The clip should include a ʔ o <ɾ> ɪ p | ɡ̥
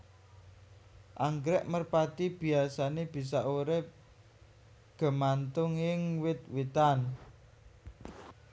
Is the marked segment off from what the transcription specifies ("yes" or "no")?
no